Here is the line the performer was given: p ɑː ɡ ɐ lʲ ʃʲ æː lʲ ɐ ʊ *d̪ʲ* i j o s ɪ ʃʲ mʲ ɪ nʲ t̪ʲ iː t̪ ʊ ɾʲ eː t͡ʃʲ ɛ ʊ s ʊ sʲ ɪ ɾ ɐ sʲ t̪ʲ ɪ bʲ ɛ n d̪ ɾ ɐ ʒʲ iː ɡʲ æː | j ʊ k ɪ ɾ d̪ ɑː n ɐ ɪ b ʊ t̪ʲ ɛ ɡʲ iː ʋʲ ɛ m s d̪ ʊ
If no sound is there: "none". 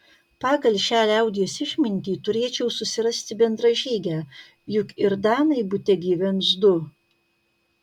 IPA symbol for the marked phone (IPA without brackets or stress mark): d̪ʲ